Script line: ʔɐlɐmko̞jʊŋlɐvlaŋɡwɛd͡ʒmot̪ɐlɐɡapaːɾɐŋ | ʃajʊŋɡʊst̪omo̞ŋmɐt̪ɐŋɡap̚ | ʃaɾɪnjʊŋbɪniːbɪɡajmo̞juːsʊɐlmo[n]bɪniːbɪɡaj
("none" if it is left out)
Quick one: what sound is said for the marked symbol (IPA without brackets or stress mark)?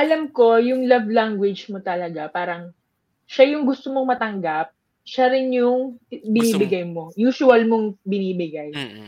ŋ